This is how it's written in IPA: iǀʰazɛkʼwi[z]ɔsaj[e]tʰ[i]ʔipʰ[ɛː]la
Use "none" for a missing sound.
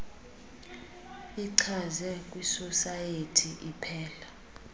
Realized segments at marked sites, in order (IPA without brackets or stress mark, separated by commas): s, e, i, ɛː